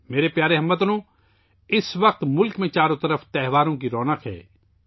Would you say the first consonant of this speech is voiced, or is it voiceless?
voiced